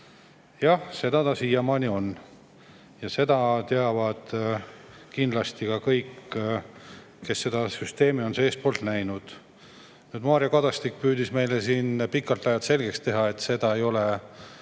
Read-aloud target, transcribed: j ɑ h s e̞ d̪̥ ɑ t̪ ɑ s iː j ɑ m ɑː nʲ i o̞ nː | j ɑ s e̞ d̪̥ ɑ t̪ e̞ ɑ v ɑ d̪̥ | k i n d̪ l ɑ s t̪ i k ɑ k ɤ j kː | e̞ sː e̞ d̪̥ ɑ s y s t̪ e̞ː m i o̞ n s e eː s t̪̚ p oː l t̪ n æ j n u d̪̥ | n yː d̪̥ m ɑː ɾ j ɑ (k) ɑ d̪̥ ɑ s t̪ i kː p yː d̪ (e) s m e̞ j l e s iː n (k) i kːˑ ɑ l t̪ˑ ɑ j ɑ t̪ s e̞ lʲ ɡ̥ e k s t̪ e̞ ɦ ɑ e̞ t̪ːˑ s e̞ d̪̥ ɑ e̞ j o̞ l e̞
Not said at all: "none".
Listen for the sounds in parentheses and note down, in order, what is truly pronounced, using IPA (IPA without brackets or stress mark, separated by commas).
k, i, p